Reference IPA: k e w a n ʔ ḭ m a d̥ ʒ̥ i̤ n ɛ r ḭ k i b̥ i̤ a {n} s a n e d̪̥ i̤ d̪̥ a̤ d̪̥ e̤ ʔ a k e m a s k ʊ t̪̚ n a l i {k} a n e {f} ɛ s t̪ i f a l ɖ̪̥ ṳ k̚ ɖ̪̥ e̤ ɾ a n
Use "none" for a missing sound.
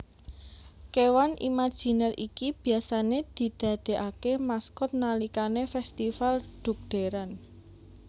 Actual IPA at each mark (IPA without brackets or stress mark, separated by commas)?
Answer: none, k, f